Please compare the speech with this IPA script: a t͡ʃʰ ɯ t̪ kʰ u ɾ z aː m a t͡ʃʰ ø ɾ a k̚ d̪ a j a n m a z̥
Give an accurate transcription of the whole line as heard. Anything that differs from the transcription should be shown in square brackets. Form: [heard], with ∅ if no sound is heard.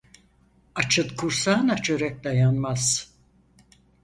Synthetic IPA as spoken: a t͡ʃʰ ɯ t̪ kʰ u ɾ [s] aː [n] a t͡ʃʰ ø ɾ [ɛ] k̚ d̪ a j a n m a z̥